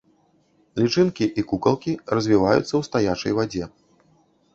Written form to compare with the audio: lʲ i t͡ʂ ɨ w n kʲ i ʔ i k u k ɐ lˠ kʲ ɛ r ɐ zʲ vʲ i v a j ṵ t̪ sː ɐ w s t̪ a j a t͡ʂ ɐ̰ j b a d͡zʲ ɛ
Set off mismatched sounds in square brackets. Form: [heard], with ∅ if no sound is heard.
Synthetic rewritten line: lʲ i t͡ʂ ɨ [∅] n kʲ i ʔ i k u k ɐ lˠ kʲ [i] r ɐ zʲ vʲ i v a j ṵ t̪ sː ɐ w s t̪ a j a t͡ʂ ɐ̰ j [v] a d͡zʲ ɛ